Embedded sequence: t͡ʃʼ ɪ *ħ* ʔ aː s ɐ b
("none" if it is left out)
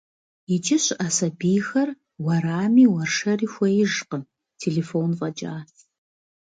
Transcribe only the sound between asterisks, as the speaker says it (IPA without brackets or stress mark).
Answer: ɕ